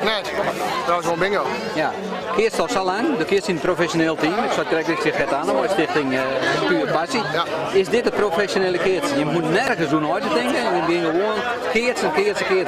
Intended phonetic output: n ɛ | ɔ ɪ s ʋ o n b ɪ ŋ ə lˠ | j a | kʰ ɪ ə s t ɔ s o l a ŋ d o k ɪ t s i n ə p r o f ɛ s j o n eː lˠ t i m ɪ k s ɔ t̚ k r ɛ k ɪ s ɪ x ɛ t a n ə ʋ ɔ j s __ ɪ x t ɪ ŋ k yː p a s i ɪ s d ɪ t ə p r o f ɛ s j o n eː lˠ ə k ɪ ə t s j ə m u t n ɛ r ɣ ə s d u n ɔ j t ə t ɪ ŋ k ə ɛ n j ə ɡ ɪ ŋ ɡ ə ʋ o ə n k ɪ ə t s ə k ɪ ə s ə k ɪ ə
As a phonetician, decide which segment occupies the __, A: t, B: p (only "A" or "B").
A